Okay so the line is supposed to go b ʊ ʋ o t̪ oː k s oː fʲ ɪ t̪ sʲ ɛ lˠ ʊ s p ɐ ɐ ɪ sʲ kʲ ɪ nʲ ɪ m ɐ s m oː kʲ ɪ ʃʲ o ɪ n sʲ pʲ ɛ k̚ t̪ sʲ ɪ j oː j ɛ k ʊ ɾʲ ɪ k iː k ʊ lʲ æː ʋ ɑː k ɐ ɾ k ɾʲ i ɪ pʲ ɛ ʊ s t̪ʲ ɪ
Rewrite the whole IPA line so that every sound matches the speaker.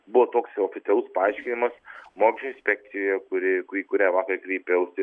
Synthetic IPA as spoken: b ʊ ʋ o t̪ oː k s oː fʲ ɪ t̪ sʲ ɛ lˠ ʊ s p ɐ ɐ ɪ ʃʲ kʲ ɪ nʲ ɪ m ɐ s m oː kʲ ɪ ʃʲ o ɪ n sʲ pʲ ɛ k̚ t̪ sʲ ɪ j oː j ɛ k ʊ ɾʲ ɪ k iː k ʊ ɾʲ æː ʋ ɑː k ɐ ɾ k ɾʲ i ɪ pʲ ɛ ʊ s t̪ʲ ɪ